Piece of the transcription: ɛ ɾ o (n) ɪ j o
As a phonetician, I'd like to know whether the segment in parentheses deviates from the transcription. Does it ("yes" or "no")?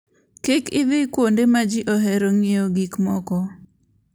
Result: yes